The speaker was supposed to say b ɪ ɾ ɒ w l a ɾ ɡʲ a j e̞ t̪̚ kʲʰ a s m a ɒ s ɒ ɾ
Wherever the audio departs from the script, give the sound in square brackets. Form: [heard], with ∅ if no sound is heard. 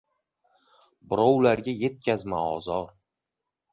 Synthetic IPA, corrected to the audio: b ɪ ɾ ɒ w l a ɾ ɡʲ a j e̞ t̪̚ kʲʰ a [z] m a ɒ [z] ɒ ɾ